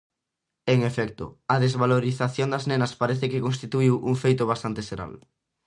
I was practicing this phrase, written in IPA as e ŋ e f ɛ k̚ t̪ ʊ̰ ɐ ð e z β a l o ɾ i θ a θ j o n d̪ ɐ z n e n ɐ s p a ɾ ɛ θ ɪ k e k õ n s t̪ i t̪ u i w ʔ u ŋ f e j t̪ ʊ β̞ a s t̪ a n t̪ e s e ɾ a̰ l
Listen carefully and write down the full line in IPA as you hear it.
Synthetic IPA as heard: e ŋ e f ɛ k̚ t̪ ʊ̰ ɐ ð e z β a l o ɾ i θ a θ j o n d̪ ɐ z n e n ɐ s p a ɾ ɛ θ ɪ k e k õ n s t̪ i t̪ u i w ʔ u ŋ f e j t̪ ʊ β̞ a s t̪ a n t̪ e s e ɾ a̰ l